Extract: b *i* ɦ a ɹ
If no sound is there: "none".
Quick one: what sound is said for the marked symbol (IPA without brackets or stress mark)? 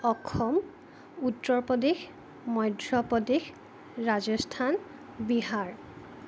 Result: i